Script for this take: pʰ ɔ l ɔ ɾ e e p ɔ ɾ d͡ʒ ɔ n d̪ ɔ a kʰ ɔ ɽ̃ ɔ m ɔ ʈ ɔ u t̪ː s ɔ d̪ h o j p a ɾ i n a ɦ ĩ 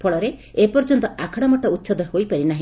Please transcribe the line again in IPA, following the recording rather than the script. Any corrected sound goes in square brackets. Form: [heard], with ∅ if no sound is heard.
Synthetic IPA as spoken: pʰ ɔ [ɭ] ɔ ɾ e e p ɔ ɾ d͡ʒ ɔ n [t̪] ɔ a kʰ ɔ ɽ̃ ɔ m ɔ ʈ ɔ u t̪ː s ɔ d̪ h o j p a ɾ i n a ɦ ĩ